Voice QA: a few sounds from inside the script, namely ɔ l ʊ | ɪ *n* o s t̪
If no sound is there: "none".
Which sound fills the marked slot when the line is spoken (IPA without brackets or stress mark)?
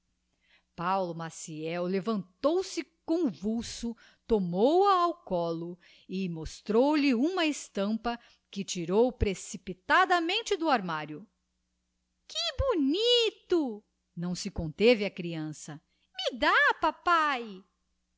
m